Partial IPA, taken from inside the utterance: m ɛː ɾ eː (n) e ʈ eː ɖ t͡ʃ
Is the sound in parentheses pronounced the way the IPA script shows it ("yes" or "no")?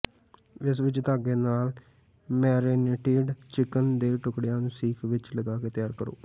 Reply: yes